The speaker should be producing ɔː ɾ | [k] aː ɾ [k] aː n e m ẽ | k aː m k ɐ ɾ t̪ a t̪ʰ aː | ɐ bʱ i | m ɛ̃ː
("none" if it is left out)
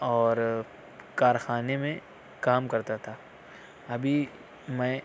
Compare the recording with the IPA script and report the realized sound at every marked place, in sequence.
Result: k, x

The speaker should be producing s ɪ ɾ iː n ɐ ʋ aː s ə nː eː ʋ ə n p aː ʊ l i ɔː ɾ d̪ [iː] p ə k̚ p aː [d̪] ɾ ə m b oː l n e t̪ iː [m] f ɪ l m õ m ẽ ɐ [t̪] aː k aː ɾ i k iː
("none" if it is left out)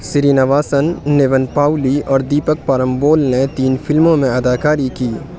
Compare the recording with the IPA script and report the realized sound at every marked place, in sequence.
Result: iː, none, n, d̪

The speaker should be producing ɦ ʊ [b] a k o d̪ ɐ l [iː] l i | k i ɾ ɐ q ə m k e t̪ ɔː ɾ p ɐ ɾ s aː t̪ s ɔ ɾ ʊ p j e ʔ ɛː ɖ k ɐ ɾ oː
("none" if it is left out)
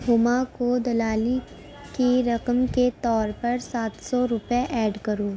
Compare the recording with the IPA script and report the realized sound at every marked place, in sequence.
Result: m, aː

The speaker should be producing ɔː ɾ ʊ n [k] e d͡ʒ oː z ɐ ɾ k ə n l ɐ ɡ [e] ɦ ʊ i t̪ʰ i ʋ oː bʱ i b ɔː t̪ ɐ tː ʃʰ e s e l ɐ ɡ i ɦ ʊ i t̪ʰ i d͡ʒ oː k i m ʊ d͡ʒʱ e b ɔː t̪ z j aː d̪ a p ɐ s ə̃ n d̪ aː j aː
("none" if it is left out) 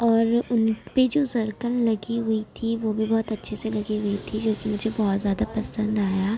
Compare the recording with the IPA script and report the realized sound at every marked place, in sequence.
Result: p, i

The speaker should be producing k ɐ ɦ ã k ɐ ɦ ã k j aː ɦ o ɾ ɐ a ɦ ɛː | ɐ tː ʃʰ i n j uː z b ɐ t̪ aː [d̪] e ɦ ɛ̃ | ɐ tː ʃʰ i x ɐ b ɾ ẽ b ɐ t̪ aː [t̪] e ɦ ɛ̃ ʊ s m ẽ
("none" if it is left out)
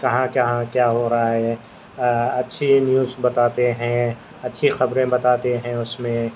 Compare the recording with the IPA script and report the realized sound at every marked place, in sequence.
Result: t̪, t̪

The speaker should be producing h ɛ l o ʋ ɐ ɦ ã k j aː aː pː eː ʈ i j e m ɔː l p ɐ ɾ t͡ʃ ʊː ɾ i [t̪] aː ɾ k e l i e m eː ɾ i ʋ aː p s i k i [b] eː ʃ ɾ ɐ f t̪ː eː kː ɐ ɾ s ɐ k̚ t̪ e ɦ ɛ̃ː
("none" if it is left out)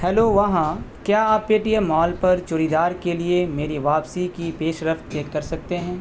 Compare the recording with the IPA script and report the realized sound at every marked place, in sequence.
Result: d̪, p

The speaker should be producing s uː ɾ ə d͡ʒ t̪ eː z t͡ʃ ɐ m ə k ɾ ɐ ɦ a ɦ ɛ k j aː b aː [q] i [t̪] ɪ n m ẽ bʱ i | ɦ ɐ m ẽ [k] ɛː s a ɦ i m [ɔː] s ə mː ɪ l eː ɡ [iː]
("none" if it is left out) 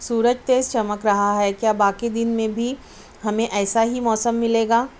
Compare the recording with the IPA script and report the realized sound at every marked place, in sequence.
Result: k, d̪, ʔ, ɔː, aː

